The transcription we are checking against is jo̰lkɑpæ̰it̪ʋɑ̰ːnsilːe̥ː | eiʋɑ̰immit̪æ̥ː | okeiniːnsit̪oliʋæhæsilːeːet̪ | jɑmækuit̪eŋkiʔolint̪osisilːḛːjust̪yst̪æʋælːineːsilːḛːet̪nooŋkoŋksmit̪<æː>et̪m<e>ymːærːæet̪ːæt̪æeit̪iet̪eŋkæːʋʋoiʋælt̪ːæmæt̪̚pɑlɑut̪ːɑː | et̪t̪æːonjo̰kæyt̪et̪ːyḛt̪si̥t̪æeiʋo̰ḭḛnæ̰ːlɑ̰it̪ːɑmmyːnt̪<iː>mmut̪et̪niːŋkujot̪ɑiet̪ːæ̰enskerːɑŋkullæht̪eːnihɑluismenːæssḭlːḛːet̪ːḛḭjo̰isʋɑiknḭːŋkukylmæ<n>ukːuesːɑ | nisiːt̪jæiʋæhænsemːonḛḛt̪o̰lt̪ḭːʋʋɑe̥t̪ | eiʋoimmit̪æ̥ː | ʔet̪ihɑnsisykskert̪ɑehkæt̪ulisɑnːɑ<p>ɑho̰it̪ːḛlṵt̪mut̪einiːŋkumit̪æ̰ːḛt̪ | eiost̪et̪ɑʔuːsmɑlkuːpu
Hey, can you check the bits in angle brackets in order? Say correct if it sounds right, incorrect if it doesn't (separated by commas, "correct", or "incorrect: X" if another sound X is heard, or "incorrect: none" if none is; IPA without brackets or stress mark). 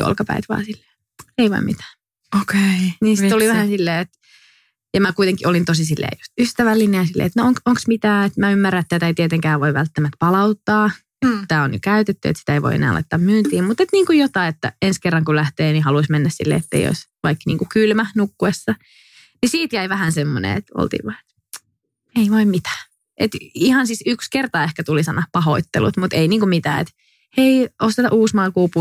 correct, incorrect: æ, correct, correct, correct